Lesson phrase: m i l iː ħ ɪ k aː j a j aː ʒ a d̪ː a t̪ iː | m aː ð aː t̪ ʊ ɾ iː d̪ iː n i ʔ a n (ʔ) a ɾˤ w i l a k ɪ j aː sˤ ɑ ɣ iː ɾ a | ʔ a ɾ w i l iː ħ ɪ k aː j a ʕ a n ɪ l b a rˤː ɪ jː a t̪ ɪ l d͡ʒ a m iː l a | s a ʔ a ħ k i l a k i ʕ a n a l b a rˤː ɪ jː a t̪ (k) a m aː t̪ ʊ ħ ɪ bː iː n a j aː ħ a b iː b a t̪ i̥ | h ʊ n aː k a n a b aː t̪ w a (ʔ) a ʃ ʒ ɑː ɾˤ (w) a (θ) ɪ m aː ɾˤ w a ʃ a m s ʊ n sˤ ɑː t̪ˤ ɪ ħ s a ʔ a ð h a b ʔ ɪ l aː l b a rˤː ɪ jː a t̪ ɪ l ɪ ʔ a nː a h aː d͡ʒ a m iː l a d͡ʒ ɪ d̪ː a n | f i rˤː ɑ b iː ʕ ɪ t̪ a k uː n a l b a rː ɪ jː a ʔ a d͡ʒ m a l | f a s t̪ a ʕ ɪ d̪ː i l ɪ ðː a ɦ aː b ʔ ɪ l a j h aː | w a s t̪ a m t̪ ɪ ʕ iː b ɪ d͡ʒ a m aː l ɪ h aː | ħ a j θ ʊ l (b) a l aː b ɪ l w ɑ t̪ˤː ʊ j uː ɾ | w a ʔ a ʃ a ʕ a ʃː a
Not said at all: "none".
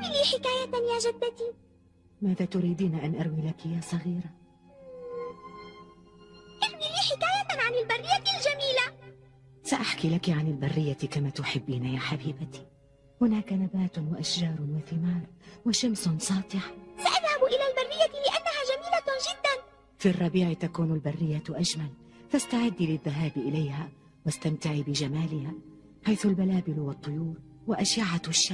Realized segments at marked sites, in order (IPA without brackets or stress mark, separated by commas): ʔ, k, ʔ, w, θ, b